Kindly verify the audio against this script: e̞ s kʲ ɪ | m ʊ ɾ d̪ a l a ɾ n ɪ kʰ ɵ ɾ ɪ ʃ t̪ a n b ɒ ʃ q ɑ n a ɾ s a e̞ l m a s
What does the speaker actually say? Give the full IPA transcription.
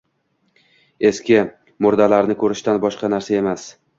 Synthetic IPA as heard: e̞ s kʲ ɪ | m ʊ ɾ d̪ a l a ɾ n ɪ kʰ ɵ ɾ ɪ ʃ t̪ a n b ɒ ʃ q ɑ n a ɾ s a e̞ m a s